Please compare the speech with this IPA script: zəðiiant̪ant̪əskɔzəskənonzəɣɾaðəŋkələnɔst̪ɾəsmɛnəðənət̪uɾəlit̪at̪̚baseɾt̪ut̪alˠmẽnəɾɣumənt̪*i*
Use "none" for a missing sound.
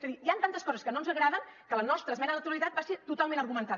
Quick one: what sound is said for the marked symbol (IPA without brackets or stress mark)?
a